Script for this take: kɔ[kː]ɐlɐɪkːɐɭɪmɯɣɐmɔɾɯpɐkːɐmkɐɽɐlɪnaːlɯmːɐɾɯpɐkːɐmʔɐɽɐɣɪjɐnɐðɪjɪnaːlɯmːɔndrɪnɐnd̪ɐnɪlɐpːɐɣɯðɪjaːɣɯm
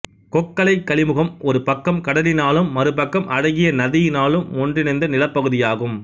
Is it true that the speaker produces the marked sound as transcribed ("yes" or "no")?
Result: yes